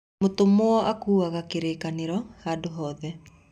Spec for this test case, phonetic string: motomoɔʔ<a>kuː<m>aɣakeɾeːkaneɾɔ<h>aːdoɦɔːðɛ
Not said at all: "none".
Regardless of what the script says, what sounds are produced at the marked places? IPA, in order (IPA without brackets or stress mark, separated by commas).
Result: a, none, h